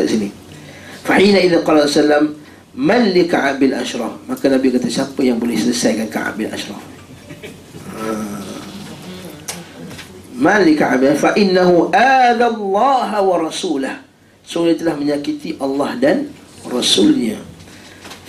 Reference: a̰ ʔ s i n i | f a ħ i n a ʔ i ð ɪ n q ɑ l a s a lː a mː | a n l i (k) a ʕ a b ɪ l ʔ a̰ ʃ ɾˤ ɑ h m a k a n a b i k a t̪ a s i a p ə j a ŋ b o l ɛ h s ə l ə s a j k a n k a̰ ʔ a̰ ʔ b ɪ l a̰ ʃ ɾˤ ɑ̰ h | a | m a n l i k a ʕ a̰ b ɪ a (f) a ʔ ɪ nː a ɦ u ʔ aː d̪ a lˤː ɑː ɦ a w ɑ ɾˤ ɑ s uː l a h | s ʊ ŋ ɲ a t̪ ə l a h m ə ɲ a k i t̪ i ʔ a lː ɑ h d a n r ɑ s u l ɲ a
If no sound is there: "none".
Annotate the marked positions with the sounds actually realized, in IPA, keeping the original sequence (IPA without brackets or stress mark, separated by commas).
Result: k, f